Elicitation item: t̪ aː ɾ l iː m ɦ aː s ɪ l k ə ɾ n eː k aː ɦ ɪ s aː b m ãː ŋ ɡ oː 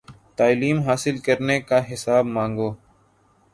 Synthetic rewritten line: t̪ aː l iː m ɦ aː s ɪ l k ə ɾ n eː k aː ɦ ɪ s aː b m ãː ŋ ɡ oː